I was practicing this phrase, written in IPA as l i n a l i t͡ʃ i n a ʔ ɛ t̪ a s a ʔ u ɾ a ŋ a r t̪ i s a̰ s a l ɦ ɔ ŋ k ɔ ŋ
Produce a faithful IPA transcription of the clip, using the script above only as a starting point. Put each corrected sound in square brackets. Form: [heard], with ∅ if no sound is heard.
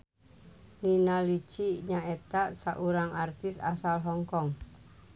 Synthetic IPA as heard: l i n a l i t͡ʃ i [ɲ] a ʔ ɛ t̪ a s a ʔ u ɾ a ŋ a r t̪ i s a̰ s a l ɦ ɔ ŋ k ɔ ŋ